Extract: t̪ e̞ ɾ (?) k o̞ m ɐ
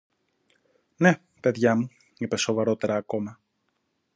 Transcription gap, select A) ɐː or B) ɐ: A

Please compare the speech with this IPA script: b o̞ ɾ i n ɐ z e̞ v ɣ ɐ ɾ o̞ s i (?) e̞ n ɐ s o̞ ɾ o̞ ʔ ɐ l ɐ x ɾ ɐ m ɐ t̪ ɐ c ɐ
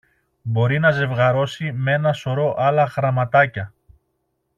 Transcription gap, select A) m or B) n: A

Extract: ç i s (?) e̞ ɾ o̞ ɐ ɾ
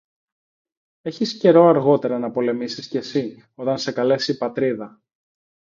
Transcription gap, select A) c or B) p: A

